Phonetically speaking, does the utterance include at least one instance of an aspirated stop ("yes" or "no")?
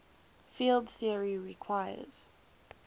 yes